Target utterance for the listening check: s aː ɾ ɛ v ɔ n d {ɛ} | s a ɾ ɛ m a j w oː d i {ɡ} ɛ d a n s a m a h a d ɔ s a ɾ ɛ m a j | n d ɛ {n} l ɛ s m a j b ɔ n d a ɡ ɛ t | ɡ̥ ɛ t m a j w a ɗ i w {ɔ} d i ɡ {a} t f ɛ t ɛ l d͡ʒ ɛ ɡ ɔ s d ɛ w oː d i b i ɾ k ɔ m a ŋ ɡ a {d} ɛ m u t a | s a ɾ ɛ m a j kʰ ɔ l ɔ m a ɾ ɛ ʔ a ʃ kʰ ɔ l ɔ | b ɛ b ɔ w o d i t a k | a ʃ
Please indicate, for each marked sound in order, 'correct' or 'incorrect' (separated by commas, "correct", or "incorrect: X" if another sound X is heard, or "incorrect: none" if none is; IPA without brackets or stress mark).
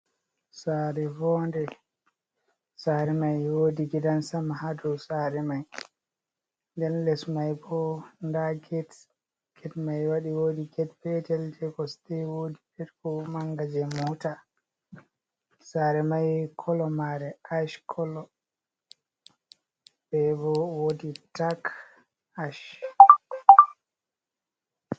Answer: correct, correct, correct, incorrect: o, incorrect: ɛ, incorrect: d͡ʒ